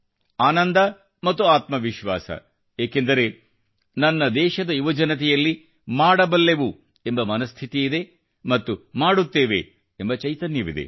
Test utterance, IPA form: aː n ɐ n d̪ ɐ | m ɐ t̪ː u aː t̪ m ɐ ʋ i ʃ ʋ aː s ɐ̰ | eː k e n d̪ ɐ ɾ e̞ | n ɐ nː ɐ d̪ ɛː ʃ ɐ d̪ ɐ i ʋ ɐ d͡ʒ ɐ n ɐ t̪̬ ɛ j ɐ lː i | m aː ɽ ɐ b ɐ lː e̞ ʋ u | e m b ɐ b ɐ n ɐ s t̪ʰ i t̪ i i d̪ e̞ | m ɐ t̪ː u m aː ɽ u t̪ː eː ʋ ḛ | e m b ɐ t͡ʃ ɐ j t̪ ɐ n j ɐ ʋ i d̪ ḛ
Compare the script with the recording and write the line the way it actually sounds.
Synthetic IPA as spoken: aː n ɐ n d̪ ɐ | m ɐ t̪ː u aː t̪ m ɐ ʋ i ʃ ʋ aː s ɐ̰ | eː k e n d̪ ɐ ɾ e̞ | n ɐ nː ɐ d̪ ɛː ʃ ɐ d̪ ɐ i ʋ ɐ d͡ʒ ɐ n ɐ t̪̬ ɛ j ɐ lː i | m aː ɽ ɐ b ɐ lː e̞ ʋ u | e m b ɐ m ɐ n ɐ s t̪ʰ i t̪ i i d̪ e̞ | m ɐ t̪ː u m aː ɽ u t̪ː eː ʋ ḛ | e m b ɐ t͡ʃ ɐ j t̪ ɐ n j ɐ ʋ i d̪ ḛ